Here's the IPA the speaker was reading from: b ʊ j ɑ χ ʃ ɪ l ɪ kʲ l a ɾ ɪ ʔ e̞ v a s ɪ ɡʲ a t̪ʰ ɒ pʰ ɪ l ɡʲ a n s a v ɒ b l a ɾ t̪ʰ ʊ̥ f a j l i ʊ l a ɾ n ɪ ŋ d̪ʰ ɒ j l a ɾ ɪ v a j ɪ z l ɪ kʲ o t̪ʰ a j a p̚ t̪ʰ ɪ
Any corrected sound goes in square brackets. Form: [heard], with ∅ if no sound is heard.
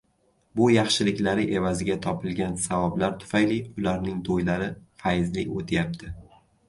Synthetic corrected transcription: b ʊ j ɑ χ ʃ ɪ l ɪ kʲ l a ɾ ɪ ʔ e̞ v a [z] ɪ ɡʲ a t̪ʰ ɒ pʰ ɪ l ɡʲ a n s a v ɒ b l a ɾ t̪ʰ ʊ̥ f a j l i ʊ l a ɾ n ɪ ŋ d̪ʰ [o] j l a ɾ ɪ [f] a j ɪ z l ɪ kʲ o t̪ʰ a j a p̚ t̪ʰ ɪ